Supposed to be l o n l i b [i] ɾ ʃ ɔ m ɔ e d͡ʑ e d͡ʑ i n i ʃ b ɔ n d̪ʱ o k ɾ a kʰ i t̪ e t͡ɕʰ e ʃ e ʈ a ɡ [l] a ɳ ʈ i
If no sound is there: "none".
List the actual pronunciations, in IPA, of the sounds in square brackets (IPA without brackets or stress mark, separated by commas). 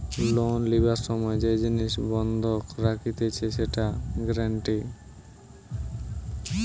a, ɾ